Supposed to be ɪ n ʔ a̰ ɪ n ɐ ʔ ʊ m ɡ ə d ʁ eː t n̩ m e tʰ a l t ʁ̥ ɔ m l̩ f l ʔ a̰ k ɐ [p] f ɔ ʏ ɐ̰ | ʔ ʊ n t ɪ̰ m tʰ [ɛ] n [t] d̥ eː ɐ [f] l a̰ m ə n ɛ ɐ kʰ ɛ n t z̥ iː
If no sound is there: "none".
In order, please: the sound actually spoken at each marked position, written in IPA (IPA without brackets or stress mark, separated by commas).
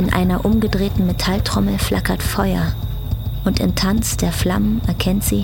t, a, t͡s, f